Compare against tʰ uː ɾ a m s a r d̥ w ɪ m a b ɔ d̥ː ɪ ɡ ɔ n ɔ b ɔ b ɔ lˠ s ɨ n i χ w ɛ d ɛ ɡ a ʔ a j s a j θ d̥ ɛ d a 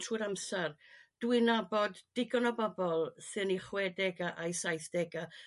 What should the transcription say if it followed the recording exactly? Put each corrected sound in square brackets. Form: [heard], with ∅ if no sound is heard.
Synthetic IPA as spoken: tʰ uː ɾ a m s a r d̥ w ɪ [n] a b ɔ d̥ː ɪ ɡ ɔ n ɔ b ɔ b ɔ lˠ s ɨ n i χ w ɛ d ɛ ɡ a ʔ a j s a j θ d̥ ɛ [ɡ] a